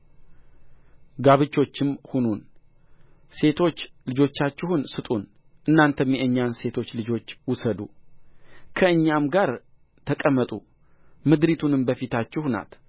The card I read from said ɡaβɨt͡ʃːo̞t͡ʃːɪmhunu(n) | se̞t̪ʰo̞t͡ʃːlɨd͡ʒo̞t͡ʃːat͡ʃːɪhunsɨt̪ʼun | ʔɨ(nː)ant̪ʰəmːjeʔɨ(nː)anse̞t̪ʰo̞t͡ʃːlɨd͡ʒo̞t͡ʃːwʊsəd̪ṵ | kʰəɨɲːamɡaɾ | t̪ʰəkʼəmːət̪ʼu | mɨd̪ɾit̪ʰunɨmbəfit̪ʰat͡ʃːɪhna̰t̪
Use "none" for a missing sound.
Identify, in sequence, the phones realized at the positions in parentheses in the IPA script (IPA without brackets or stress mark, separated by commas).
n, nː, ɲː